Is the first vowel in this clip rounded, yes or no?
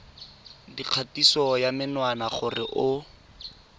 no